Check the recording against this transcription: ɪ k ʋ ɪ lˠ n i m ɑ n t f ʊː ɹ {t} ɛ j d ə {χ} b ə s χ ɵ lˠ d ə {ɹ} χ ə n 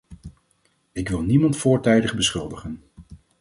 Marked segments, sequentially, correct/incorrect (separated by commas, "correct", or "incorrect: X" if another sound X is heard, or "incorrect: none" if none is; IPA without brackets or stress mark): correct, correct, incorrect: none